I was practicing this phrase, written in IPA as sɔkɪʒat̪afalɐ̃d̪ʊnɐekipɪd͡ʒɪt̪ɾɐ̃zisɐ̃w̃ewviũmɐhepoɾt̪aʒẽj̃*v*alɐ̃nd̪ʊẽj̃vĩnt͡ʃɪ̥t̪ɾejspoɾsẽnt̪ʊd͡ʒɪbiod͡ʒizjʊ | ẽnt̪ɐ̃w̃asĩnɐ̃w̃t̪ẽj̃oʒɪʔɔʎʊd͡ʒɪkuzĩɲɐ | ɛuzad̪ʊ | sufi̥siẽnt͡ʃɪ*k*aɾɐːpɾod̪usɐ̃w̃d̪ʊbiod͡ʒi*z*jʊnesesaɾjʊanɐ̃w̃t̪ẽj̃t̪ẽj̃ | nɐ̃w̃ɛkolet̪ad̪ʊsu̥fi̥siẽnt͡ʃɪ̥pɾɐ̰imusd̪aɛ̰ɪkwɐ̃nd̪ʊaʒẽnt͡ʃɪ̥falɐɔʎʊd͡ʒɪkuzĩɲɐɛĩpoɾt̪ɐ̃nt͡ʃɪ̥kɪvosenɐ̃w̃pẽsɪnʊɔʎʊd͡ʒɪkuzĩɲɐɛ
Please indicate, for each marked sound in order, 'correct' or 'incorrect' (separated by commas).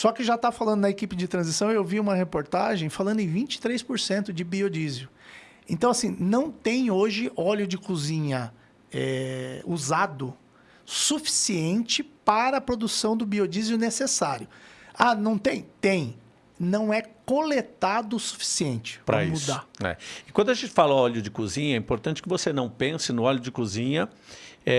incorrect, incorrect, correct